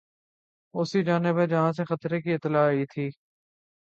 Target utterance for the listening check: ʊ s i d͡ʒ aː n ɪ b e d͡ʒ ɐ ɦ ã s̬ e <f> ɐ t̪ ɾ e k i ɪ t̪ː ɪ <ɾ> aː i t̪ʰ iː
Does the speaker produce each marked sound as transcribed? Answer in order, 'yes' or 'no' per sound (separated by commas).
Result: no, no